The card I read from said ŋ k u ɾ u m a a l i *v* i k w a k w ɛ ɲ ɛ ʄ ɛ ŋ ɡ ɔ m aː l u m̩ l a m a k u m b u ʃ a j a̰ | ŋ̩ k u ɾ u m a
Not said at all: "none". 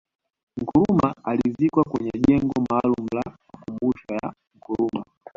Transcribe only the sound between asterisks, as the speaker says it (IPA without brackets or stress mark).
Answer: z